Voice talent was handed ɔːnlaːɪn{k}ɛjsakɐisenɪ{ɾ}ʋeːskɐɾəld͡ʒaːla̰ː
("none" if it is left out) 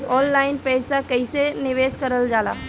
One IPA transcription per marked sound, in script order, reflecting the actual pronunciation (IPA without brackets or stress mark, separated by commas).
p, none